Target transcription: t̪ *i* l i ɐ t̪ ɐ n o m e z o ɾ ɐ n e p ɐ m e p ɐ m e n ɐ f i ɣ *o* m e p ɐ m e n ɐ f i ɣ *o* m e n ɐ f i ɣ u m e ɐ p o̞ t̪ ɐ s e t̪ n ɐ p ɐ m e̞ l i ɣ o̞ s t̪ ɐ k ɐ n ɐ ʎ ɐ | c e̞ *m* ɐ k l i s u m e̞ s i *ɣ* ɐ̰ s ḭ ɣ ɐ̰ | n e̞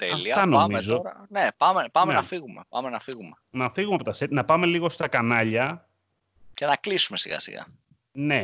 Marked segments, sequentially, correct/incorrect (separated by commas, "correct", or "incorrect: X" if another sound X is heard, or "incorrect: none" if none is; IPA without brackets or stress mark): incorrect: e, incorrect: u, incorrect: u, incorrect: n, correct